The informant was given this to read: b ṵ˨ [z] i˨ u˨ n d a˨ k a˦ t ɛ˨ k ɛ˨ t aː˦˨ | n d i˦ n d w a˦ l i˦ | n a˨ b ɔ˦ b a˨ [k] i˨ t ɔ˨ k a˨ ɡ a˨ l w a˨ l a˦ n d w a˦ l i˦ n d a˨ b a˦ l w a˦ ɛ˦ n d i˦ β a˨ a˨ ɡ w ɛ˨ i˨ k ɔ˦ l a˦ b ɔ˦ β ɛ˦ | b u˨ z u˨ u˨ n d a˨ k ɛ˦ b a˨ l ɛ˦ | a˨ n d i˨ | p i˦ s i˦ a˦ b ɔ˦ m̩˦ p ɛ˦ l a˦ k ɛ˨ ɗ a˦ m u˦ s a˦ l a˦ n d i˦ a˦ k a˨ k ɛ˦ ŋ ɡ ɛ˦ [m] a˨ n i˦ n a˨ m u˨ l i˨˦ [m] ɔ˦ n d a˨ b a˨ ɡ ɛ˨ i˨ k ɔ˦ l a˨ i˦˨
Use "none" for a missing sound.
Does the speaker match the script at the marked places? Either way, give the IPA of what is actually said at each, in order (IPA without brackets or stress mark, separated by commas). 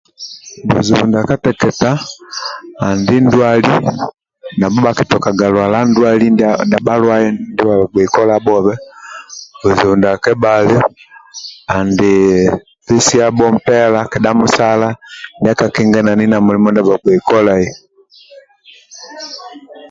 z, k, n, m